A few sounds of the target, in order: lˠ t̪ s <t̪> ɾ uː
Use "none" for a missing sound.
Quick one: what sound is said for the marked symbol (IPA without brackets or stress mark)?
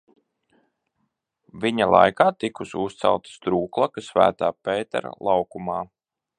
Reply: t̪